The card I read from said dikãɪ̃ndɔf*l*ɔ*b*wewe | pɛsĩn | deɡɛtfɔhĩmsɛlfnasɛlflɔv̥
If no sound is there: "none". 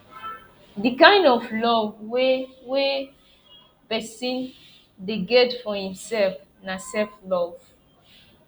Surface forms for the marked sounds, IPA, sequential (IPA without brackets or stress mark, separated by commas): l, v